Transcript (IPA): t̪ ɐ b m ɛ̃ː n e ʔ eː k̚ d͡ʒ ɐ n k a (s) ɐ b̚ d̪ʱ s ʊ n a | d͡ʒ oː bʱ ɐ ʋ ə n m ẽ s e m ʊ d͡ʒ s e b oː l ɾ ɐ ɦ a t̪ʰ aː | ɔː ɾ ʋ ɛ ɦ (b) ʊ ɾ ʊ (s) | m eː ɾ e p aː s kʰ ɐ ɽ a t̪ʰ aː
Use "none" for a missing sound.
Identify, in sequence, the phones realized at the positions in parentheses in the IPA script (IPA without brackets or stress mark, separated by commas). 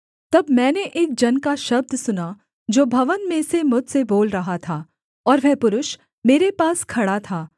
ʃ, p, ʃ